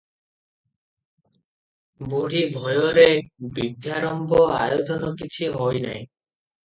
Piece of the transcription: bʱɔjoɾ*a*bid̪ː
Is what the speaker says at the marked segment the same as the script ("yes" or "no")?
no